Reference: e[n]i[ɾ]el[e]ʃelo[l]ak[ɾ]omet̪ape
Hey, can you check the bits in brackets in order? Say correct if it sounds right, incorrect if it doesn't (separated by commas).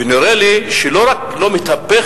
correct, correct, incorrect, incorrect, incorrect